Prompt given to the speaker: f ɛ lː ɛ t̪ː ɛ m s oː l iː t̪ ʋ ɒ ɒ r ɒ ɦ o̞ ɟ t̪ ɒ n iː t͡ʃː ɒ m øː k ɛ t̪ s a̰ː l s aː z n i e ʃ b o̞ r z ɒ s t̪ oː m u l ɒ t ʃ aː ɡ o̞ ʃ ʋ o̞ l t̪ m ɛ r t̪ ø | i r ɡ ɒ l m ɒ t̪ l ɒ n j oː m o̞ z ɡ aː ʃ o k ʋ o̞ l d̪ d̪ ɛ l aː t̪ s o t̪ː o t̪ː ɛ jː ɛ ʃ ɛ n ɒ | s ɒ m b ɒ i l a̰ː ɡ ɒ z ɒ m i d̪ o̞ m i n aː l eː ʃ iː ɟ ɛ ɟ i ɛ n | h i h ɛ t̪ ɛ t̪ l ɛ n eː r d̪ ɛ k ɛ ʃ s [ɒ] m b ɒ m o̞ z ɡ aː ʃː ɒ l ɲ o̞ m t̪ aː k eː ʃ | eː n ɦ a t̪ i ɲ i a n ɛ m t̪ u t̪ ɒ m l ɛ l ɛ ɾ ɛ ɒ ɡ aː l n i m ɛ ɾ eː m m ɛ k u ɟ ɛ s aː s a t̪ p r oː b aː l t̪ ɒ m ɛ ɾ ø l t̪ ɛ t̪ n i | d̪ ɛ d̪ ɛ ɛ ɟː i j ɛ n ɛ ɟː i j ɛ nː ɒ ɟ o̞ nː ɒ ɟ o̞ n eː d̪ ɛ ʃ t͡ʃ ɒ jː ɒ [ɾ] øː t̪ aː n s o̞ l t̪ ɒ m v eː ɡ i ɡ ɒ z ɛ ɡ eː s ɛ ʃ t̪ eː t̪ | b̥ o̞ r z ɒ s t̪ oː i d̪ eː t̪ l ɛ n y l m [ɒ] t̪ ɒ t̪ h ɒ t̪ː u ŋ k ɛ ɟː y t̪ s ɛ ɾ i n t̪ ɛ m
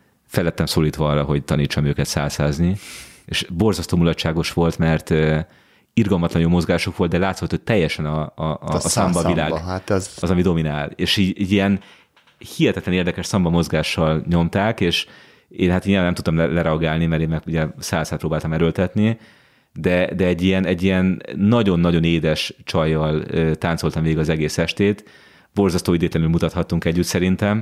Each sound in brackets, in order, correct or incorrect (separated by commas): correct, incorrect, incorrect